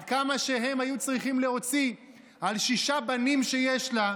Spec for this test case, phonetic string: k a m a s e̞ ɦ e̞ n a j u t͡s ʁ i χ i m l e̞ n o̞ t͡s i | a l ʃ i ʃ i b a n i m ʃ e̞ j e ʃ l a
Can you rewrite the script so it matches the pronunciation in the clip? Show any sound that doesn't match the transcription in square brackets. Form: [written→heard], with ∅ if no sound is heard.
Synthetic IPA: k a m a [s→ʃ] e̞ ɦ e̞ [n→m] a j u t͡s ʁ i χ i m l e̞ [n→∅] o̞ t͡s i | a l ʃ i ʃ [i→a] b a n i m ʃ e̞ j e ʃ l a